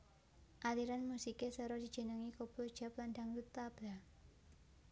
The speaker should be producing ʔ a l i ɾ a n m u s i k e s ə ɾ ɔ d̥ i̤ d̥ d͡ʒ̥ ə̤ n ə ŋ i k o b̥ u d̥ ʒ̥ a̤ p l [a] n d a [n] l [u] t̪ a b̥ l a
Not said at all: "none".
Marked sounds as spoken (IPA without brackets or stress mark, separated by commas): a, ŋ, u